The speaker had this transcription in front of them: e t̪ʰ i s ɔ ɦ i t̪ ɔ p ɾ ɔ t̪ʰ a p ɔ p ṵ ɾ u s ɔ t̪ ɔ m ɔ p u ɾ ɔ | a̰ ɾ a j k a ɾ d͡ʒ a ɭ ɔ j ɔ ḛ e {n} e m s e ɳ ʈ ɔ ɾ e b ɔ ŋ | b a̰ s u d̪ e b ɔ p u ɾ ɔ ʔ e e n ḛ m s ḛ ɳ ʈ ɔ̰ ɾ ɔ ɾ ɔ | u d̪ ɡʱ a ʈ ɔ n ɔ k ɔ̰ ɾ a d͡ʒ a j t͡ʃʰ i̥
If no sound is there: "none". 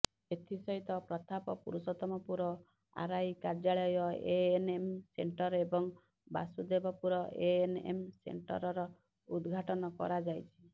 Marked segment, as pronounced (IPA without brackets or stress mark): n